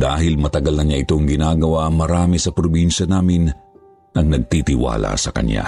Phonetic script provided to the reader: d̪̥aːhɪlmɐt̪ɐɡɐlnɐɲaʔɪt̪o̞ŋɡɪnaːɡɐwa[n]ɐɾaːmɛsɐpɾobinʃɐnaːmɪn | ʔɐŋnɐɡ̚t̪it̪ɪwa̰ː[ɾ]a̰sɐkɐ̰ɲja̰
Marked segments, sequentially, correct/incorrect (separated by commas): incorrect, incorrect